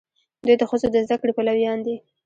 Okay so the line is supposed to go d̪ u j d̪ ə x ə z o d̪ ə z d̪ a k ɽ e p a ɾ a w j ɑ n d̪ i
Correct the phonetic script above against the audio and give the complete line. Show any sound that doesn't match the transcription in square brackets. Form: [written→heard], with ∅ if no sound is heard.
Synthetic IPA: d̪ u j d̪ ə x ə z o d̪ ə z d̪ a k ɽ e p a [ɾ→l] a w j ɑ n d̪ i